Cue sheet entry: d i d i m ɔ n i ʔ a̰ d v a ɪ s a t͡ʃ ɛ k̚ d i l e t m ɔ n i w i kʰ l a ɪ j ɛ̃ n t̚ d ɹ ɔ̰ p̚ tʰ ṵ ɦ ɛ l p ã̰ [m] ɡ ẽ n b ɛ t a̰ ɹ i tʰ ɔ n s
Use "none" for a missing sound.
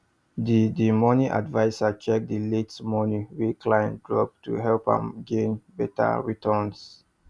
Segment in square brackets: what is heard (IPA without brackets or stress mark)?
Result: m